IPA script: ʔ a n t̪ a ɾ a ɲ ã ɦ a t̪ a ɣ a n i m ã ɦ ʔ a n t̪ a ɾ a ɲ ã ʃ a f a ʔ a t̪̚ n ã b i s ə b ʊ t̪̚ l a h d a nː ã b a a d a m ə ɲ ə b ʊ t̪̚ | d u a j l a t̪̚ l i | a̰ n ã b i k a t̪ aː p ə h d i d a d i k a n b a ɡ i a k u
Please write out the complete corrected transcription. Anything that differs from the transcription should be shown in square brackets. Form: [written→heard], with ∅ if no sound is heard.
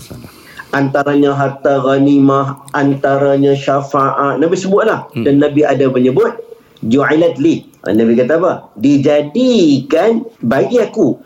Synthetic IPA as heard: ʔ a n t̪ a ɾ a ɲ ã ɦ a t̪ a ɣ a n i m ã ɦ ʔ a n t̪ a ɾ a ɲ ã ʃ a f a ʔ a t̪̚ n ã b i s ə b ʊ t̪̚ l a h d a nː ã b [a→i] a d a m ə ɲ ə b ʊ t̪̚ | [d→d͡ʒ] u a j l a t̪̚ l i | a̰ n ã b i k a t̪ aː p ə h d i [d→d͡ʒ] a d i k a n b a ɡ i a k u